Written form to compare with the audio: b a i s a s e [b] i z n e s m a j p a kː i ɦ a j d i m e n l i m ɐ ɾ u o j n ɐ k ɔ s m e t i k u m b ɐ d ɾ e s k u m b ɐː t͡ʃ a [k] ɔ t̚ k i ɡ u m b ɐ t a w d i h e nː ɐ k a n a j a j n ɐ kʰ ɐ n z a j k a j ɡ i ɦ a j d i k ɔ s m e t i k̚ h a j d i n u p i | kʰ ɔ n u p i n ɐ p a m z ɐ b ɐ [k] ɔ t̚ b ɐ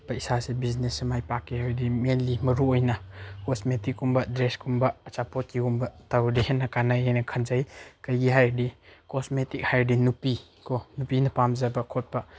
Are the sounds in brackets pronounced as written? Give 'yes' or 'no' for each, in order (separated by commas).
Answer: yes, no, no